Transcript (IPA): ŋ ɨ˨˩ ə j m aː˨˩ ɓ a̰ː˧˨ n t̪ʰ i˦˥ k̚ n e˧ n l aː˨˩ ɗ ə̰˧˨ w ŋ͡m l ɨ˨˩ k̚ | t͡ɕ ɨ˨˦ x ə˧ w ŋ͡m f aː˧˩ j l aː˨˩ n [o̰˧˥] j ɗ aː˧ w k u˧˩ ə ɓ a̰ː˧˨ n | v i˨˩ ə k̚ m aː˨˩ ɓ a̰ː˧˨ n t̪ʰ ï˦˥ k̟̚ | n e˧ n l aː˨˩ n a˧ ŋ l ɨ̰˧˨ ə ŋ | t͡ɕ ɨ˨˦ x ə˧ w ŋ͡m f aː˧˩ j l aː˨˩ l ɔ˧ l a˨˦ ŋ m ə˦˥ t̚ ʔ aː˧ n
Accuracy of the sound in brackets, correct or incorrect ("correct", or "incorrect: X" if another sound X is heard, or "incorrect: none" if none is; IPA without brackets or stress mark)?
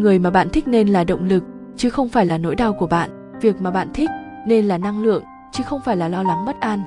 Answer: correct